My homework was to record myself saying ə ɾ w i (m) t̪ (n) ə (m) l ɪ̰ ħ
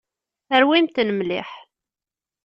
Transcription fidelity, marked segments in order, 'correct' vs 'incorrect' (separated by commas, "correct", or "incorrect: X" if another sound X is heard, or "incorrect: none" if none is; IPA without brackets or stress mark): correct, correct, correct